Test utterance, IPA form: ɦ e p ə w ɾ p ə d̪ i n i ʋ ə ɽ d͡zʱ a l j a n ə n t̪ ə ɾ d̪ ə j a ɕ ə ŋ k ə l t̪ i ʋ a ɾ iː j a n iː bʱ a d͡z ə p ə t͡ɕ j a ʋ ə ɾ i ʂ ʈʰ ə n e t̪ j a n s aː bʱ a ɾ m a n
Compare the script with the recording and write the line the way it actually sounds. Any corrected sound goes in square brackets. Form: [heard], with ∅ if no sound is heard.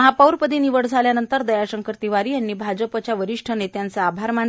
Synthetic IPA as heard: ɦ [a] p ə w ɾ p ə d̪ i n i ʋ ə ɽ d͡zʱ a l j a n ə n t̪ ə ɾ d̪ ə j a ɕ ə ŋ k ə [ɾ] t̪ i ʋ a ɾ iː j a [nː] iː bʱ a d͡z ə p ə t͡ɕ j a ʋ ə ɾ i ʂ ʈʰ ə n e t̪ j a n [t͡s] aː bʱ a ɾ m a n